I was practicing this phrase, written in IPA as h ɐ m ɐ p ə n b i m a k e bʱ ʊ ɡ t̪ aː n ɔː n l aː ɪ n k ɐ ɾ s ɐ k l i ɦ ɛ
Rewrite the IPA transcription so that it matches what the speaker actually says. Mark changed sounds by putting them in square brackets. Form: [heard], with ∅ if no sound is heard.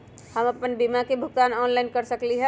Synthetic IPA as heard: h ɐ m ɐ p ə n b i m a k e bʱ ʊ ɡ t̪ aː n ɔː n l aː ɪ n k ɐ ɾ s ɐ k l i ɦ ɛ